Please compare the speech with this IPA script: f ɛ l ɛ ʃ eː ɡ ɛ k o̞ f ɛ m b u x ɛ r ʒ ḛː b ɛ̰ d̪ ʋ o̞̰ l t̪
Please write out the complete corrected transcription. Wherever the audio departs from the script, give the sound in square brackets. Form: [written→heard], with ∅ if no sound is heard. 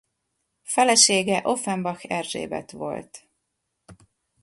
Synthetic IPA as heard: f ɛ l ɛ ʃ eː ɡ ɛ [k→ʔ] o̞ f ɛ m b [u→ɒ] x ɛ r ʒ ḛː b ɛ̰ [d̪→t̪] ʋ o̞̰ l t̪